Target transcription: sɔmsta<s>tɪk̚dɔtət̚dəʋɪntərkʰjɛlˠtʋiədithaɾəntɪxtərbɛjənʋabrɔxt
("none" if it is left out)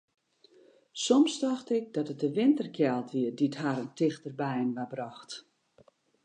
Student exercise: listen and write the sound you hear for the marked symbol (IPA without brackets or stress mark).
x